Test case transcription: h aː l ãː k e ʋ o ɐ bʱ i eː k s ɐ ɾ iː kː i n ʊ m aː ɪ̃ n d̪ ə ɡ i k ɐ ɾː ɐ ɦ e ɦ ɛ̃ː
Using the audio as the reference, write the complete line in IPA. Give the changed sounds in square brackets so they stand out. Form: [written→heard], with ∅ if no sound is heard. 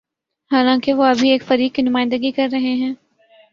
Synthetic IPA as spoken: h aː l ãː k e ʋ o ɐ bʱ i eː k [s→f] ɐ ɾ iː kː i n ʊ m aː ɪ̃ n d̪ ə ɡ i k ɐ ɾː ɐ ɦ e ɦ ɛ̃ː